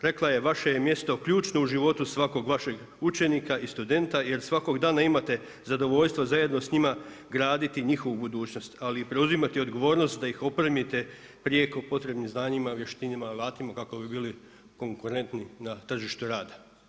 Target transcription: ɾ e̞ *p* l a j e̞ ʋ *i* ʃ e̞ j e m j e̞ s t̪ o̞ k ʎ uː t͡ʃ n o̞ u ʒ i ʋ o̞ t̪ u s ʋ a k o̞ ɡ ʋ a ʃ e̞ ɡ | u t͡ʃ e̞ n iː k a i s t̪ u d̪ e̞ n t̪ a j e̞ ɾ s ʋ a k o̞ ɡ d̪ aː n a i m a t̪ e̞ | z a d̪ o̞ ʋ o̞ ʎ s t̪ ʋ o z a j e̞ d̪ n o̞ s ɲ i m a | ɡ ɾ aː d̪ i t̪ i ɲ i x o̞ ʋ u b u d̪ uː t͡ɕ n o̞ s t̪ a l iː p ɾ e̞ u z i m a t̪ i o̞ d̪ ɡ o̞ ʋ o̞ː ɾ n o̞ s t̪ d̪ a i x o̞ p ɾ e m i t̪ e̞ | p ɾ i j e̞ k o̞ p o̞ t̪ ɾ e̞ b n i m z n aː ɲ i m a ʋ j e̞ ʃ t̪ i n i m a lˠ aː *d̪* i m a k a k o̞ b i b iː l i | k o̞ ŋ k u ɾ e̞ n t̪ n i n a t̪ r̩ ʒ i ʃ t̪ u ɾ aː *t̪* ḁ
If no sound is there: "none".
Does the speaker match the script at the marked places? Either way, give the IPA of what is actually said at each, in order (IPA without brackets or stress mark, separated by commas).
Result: k, a, t̪, d̪